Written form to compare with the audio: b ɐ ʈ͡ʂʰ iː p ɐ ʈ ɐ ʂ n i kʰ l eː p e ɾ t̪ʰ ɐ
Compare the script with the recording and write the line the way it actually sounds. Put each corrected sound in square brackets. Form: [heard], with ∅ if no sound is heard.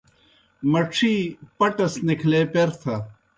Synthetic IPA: [m] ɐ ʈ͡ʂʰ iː p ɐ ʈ ɐ [s] n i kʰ l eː p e ɾ t̪ʰ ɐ